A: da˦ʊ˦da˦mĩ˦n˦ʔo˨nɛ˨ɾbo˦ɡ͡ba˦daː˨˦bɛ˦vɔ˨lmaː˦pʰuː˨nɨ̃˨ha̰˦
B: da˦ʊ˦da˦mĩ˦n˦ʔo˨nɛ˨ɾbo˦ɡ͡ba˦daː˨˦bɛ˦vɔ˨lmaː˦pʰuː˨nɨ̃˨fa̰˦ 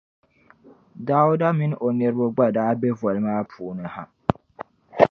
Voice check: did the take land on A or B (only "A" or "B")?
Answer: A